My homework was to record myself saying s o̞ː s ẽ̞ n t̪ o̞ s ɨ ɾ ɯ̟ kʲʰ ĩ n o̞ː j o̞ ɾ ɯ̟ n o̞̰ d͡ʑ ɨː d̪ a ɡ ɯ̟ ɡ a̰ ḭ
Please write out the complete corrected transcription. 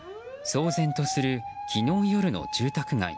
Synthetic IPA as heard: s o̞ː z ẽ̞ n t̪ o̞ s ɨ ɾ ɯ̟ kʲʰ i n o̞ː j o̞ ɾ ɯ̟ n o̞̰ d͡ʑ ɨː t̪ a k ɯ̟ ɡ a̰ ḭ